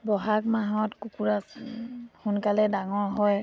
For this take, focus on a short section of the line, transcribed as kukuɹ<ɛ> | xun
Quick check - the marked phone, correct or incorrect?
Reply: incorrect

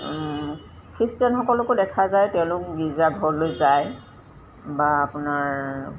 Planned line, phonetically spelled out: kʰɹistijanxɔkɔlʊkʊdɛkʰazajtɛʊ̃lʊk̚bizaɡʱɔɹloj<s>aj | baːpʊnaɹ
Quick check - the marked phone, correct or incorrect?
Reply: incorrect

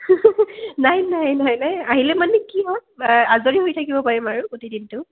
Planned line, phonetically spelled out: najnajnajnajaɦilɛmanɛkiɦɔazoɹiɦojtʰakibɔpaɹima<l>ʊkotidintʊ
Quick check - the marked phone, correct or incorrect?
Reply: incorrect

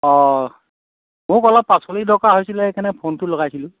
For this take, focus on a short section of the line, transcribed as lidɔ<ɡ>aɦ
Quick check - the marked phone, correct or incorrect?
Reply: incorrect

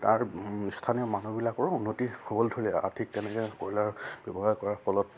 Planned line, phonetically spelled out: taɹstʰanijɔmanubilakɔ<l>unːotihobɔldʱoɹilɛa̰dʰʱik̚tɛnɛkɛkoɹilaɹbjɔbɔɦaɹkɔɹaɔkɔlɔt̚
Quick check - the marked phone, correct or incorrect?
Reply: incorrect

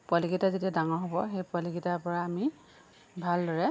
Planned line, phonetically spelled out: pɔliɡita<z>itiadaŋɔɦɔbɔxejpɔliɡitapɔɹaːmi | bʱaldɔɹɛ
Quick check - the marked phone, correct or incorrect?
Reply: correct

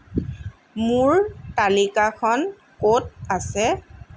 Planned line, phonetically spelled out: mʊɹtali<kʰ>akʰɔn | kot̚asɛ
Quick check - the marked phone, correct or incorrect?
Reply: incorrect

